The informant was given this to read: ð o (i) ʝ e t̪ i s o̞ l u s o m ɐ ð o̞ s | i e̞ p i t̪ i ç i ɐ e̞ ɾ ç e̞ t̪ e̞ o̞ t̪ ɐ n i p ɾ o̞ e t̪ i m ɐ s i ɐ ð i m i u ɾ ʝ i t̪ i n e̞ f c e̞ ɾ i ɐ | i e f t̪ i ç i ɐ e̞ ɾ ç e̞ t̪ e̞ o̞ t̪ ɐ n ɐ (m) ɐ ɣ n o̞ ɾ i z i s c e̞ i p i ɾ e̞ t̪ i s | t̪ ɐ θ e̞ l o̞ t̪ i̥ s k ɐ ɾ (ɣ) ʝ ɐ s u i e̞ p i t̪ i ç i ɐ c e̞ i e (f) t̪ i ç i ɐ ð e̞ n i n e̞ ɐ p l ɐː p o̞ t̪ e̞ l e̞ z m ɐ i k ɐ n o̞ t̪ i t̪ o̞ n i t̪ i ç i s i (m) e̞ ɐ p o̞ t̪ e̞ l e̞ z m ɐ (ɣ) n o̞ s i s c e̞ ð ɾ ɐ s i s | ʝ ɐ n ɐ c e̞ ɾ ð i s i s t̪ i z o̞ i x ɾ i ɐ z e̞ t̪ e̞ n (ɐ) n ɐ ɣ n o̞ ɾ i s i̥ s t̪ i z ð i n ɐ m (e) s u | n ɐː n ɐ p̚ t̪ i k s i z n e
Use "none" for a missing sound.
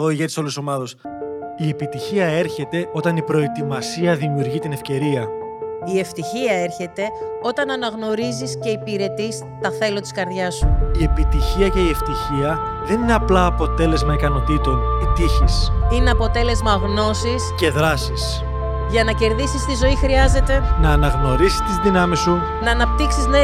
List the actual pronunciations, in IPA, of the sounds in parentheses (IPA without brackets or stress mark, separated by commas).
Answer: i, n, ð, f, n, ɣ, ɐː, i